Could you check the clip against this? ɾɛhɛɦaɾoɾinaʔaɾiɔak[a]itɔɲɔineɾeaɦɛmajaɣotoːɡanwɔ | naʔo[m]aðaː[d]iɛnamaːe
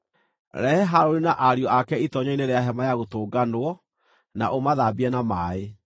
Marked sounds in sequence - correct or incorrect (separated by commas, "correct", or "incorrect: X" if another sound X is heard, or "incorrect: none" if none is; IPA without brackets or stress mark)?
incorrect: ɛ, correct, incorrect: b